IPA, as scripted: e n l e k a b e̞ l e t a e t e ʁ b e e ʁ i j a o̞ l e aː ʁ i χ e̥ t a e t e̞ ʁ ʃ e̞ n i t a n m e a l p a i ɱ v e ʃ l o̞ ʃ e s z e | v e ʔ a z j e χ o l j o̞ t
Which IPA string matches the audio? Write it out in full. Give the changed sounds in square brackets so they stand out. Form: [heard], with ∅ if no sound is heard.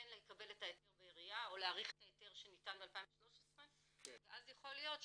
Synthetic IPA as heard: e n l e k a b e̞ l e t a e t e ʁ b e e ʁ i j a o̞ l e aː ʁ i χ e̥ t a e t e̞ ʁ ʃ e̞ n i t a n [b] e a l p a i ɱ v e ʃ l o̞ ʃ e s [ʁ] e | v e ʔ a z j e χ o l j o̞ t